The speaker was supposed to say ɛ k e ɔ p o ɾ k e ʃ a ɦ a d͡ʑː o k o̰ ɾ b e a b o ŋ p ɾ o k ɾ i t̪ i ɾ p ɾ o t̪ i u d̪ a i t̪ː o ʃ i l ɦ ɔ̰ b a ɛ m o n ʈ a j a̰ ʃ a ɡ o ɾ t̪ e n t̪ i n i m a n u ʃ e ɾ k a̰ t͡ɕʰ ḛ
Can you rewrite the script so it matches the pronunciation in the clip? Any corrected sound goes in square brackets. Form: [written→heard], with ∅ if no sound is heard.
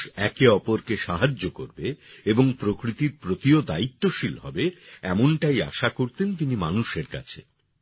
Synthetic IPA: ɛ k e ɔ p o ɾ k e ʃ a ɦ a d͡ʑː o k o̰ ɾ b e [a→e] b o ŋ p ɾ o k ɾ i t̪ i ɾ p ɾ o t̪ i [u→o] d̪ a i t̪ː o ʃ i l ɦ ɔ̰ b [a→e] ɛ m o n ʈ a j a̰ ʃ a [ɡ→k] o ɾ t̪ e n t̪ i n i m a n u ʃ e ɾ k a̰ t͡ɕʰ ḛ

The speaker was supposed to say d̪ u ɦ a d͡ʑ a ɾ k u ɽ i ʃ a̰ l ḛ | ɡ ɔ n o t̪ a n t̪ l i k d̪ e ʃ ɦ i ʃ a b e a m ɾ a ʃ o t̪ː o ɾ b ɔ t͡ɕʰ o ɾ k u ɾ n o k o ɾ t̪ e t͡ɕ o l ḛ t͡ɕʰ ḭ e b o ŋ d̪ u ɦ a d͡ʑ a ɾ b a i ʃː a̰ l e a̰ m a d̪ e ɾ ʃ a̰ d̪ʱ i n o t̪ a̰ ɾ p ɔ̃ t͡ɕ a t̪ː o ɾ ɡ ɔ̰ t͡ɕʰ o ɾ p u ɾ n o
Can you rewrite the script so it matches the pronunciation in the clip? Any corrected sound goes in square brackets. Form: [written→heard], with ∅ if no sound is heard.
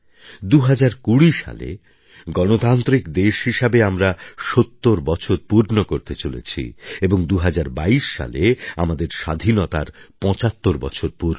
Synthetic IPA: d̪ u ɦ a d͡ʑ a ɾ k u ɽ i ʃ a̰ l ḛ | ɡ ɔ n o t̪ a n t̪ [l→ɾ] i k d̪ e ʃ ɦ i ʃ a b e a m ɾ a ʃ o t̪ː o ɾ b ɔ t͡ɕʰ o ɾ [k→p] u ɾ n o k o ɾ t̪ e t͡ɕ o l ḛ t͡ɕʰ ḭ e b o ŋ d̪ u ɦ a d͡ʑ a ɾ b a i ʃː a̰ l e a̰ m a d̪ e ɾ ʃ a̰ d̪ʱ i n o t̪ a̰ ɾ p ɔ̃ t͡ɕ a t̪ː o ɾ [ɡ→b] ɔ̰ t͡ɕʰ o ɾ p u ɾ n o

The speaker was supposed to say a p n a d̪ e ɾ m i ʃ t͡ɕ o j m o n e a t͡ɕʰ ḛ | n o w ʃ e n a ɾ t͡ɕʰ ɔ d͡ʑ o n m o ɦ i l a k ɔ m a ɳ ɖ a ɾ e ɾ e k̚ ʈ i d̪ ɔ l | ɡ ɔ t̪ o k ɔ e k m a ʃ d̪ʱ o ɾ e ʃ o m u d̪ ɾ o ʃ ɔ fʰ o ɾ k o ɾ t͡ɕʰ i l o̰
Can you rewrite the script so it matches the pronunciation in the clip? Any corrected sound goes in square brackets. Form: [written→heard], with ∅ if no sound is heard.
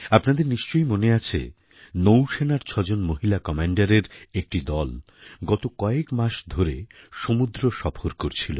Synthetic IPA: a p n a d̪ e ɾ [m→n] i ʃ t͡ɕ o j m o n e a t͡ɕʰ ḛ | n o w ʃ e n a ɾ t͡ɕʰ ɔ d͡ʑ o n m o ɦ i l a k ɔ m a ɳ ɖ a ɾ e ɾ e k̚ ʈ i d̪ ɔ l | ɡ ɔ t̪ o k ɔ e k m a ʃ d̪ʱ o ɾ e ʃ o m u d̪ ɾ o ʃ ɔ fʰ o ɾ k o ɾ t͡ɕʰ i l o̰

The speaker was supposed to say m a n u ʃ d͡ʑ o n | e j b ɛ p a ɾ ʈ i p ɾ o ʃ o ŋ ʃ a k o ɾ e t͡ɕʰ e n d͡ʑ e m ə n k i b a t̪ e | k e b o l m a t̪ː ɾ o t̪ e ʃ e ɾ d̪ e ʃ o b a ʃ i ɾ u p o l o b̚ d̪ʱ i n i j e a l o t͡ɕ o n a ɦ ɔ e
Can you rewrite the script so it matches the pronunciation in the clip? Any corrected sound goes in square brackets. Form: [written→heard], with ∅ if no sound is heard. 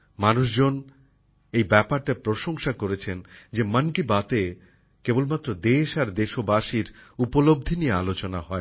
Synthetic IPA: m a n u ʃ d͡ʑ o n | e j b ɛ p a ɾ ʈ [i→a] p ɾ o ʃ o ŋ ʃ a k o ɾ e t͡ɕʰ e n d͡ʑ e m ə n k i b a t̪ e | k e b o l m a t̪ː ɾ o [t̪→d̪] e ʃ [e→a] ɾ d̪ e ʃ o b a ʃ i ɾ u p o l o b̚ d̪ʱ i n i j e a l o t͡ɕ o n a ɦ ɔ e

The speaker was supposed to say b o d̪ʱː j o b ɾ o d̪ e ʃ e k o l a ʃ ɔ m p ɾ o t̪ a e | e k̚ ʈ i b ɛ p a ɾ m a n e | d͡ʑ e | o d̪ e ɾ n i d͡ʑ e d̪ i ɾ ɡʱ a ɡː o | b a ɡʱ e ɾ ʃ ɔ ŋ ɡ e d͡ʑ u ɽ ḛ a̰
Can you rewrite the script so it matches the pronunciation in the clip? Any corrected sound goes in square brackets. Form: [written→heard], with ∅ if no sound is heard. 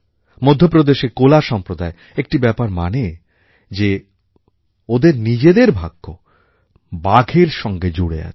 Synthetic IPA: [b→m] o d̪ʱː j o [b→p] ɾ o d̪ e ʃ e k o l a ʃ ɔ m p ɾ o [t̪→d̪] a e | e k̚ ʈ i b ɛ p a ɾ m a n e | d͡ʑ e | o d̪ e ɾ n i d͡ʑ e d̪ [i→e] ɾ [ɡʱ→bʱ] a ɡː o | b a ɡʱ e ɾ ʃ ɔ ŋ ɡ e d͡ʑ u ɽ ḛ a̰

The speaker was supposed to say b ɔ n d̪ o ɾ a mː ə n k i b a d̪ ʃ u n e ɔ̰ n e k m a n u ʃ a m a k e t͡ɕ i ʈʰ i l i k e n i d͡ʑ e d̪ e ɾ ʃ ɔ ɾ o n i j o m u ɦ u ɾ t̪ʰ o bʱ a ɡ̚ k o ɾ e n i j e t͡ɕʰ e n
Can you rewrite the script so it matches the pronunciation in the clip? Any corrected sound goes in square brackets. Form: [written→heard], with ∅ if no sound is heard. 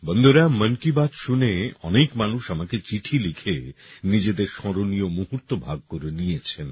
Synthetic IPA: b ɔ n d̪ o ɾ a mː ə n k i b a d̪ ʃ u n e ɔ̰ n e k m a n u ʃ a m a k e t͡ɕ i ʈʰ i l i [k→kʰ] e n i d͡ʑ e d̪ e ɾ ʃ ɔ ɾ o n i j o m u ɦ u ɾ [t̪ʰ→t̪] o bʱ a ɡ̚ k o ɾ e n i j e t͡ɕʰ e n

